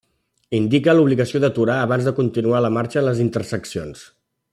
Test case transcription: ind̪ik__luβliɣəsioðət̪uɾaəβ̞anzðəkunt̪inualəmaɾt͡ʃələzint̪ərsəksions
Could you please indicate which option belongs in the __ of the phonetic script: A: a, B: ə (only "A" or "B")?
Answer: B